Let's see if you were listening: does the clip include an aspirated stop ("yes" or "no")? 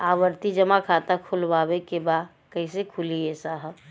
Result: yes